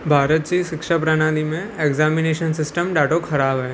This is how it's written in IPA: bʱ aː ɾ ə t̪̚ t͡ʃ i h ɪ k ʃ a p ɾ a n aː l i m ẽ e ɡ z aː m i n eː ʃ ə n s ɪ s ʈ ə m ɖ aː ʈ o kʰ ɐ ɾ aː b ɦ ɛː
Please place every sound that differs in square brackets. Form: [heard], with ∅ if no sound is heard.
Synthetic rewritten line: bʱ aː ɾ ə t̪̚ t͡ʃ i [ʃ] ɪ k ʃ a p ɾ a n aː l i m ẽ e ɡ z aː m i n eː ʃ ə n s ɪ s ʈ ə m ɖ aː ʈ o kʰ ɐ ɾ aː b ɦ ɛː